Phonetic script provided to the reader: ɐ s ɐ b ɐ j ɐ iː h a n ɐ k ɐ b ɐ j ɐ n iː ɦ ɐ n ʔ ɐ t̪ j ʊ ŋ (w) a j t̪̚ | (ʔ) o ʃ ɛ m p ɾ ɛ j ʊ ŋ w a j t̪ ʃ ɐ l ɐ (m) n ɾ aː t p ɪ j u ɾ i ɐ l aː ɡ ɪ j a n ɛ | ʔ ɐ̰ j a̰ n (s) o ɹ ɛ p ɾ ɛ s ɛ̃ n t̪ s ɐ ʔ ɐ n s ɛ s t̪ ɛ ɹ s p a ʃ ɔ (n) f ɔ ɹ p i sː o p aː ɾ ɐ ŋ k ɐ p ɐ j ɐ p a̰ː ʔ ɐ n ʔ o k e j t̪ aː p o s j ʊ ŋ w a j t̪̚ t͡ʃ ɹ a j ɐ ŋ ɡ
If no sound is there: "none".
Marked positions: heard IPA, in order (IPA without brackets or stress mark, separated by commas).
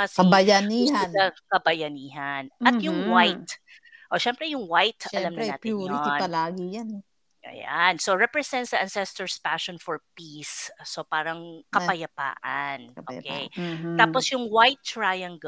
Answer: w, ʔ, m, s, n